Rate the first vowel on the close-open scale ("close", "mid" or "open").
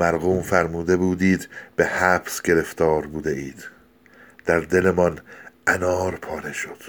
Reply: open